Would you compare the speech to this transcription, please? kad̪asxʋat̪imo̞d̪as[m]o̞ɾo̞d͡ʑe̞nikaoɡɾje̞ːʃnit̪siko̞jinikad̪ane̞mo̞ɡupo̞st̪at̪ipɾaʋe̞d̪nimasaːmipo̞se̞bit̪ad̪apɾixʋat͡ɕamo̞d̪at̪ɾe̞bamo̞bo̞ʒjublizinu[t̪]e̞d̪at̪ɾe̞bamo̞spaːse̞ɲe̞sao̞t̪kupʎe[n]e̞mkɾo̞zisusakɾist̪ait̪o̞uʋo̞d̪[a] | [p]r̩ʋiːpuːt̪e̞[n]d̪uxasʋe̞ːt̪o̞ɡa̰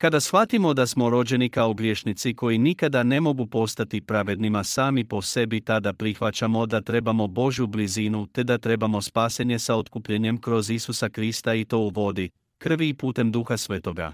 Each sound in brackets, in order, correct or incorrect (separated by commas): correct, correct, incorrect, incorrect, incorrect, incorrect